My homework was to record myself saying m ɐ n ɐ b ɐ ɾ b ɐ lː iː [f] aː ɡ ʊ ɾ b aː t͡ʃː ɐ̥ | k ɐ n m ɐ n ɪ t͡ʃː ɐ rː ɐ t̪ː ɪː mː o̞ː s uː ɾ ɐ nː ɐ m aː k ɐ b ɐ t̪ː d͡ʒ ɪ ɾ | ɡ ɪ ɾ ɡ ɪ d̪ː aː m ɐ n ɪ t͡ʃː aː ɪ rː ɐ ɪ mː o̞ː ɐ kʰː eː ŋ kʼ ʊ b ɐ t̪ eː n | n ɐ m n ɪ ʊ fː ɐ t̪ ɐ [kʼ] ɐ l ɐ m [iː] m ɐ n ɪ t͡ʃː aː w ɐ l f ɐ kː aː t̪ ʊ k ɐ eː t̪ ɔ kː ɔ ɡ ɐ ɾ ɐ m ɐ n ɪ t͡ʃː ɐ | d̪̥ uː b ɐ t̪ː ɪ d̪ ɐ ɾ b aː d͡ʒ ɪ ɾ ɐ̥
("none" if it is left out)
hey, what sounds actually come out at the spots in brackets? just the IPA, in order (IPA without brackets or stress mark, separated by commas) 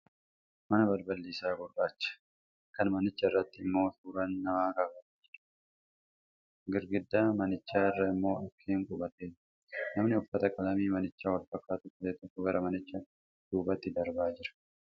s, kʼ, iː